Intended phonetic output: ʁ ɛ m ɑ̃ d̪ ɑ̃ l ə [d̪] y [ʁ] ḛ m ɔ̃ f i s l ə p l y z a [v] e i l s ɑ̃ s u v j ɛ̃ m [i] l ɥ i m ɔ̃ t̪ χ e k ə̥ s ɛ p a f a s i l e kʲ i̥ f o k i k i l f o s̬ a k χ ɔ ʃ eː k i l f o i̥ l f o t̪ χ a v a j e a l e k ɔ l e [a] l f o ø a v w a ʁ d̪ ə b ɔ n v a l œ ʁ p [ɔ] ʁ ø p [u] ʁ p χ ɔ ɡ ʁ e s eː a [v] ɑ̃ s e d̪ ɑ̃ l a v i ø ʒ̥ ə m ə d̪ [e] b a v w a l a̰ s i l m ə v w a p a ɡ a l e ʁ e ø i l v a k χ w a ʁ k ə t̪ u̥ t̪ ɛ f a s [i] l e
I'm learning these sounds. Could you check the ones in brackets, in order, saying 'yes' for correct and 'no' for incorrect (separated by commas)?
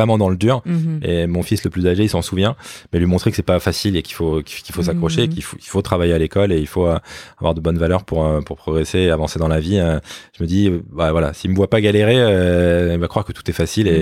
yes, yes, no, no, no, no, yes, yes, no, yes